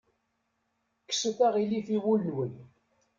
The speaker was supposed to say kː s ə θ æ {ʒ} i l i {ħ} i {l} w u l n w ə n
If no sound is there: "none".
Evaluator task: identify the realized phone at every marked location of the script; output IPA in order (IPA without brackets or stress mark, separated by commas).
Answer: ʁ, f, none